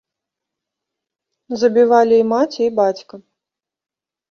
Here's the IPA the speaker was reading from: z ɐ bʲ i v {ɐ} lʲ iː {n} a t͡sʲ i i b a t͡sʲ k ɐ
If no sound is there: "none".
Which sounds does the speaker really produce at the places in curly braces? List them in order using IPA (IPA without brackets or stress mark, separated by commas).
a, m